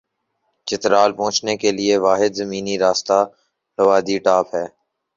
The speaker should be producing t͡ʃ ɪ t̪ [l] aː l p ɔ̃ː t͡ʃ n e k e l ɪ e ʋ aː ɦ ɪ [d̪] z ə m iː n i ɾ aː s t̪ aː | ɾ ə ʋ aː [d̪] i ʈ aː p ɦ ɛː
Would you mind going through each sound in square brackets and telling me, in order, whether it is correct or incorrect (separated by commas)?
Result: incorrect, correct, correct